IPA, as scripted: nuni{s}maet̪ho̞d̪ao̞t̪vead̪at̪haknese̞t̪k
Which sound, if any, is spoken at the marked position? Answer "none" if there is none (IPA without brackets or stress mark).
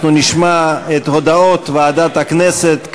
ʃ